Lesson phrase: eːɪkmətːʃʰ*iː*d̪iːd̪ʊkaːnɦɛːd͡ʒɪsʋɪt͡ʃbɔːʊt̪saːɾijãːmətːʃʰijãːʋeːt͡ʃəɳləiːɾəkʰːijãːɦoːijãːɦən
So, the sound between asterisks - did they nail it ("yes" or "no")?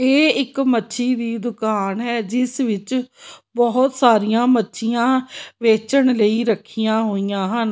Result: yes